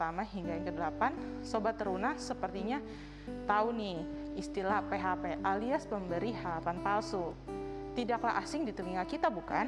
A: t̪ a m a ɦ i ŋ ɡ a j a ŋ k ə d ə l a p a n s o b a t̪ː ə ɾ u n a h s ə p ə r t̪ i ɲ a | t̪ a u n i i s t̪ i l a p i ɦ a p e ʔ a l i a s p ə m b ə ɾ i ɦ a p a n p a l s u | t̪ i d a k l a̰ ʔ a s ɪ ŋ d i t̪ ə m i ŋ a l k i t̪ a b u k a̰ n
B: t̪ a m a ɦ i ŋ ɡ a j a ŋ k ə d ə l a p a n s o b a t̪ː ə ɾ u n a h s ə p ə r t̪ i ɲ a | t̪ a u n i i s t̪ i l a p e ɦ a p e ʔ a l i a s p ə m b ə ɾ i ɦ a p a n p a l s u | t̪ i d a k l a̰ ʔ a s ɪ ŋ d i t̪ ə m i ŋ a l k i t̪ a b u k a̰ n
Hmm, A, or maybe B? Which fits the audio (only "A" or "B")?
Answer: B